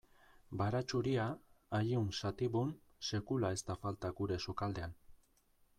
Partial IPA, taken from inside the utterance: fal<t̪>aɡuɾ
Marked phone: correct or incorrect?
correct